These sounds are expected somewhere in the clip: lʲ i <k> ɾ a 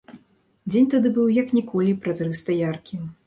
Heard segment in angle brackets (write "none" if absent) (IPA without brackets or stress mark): p